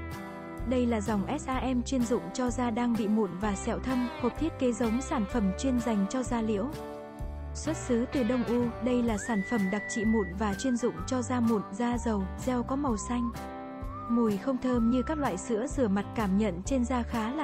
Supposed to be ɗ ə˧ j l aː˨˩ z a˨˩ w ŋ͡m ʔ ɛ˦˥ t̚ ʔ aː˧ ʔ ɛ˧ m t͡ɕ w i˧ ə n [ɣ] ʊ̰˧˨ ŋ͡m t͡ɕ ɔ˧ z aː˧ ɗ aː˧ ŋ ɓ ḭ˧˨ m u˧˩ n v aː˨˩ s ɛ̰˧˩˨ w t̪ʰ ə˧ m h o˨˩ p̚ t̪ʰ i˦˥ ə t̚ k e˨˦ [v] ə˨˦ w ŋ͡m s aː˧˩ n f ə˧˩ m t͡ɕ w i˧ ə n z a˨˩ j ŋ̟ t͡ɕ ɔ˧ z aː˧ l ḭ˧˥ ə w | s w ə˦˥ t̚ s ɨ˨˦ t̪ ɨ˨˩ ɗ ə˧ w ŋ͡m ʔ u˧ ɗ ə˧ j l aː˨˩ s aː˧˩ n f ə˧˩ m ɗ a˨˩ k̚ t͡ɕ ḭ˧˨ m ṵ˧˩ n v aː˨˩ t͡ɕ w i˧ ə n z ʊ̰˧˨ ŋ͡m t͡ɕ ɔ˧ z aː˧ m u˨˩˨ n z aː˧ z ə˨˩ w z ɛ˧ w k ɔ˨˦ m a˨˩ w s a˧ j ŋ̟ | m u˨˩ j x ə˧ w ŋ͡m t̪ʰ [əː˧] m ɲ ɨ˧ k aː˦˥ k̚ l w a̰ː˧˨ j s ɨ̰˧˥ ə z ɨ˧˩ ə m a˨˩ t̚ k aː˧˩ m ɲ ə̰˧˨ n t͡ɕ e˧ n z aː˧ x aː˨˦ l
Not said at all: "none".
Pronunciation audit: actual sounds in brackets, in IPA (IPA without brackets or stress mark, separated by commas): z, z, əː˧